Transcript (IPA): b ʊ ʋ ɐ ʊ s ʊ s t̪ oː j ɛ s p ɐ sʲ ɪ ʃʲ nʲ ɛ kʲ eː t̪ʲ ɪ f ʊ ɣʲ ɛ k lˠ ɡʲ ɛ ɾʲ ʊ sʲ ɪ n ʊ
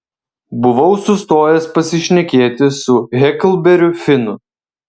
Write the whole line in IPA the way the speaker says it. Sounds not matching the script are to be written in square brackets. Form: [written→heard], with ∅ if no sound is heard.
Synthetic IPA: b ʊ ʋ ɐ ʊ s ʊ s t̪ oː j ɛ s p ɐ sʲ ɪ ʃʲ nʲ ɛ kʲ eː t̪ʲ ɪ [f→s] ʊ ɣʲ ɛ k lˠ [ɡʲ→bʲ] ɛ ɾʲ ʊ [sʲ→fʲ] ɪ n ʊ